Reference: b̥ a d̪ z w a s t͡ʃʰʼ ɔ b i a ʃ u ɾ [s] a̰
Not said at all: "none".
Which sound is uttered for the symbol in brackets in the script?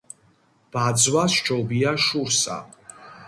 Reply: s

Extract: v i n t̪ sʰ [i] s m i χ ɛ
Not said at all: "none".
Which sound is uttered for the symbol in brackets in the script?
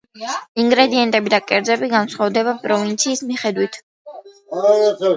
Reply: iː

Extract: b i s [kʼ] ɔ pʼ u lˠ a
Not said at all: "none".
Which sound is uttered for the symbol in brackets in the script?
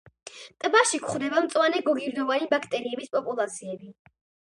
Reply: pʼ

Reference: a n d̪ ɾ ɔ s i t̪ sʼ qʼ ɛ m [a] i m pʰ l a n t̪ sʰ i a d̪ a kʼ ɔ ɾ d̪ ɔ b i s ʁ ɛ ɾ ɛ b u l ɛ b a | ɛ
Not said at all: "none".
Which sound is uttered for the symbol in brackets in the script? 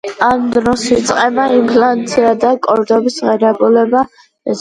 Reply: a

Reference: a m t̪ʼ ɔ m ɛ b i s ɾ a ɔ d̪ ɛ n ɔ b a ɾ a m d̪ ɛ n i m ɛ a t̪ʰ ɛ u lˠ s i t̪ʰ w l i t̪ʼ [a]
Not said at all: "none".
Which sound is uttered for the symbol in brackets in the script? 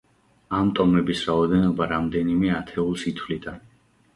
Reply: a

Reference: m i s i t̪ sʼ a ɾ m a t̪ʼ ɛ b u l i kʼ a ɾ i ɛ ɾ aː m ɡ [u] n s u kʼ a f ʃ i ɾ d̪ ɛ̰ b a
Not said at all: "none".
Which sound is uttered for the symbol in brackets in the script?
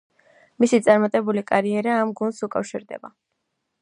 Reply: u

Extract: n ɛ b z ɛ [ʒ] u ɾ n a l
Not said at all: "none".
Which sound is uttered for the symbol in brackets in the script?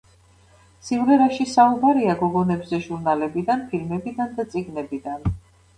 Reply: ʒ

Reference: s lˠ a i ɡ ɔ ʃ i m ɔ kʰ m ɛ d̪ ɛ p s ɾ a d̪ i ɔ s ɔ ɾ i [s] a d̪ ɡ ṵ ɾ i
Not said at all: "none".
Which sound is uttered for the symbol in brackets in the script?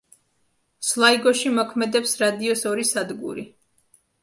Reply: s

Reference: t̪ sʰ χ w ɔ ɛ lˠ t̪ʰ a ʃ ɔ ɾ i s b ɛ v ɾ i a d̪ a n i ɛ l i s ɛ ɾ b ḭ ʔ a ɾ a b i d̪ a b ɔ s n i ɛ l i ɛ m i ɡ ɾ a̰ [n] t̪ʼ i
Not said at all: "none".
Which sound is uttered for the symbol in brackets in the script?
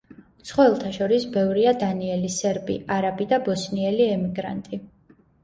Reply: n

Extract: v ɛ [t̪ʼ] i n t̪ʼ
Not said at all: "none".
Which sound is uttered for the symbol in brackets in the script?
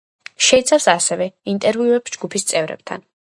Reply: none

